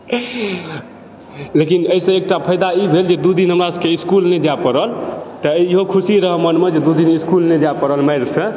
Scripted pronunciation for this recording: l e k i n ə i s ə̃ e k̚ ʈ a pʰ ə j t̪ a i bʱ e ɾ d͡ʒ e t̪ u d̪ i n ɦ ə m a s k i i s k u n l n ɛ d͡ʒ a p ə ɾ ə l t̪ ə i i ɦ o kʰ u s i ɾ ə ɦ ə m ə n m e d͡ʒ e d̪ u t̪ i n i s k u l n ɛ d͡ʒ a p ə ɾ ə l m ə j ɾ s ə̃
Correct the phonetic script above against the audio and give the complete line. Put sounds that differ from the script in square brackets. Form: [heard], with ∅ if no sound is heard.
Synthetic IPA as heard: l e k i n ə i s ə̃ e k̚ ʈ a pʰ ə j [d̪] a i bʱ e [l] d͡ʒ e [d̪] u d̪ i n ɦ ə m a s k [e] i s k u [∅] l n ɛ d͡ʒ a p ə ɾ ə l t̪ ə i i ɦ o kʰ u s i ɾ ə ɦ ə m ə n m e d͡ʒ e d̪ u [d̪] i n i s k u l n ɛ d͡ʒ a p ə ɾ ə l m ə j ɾ s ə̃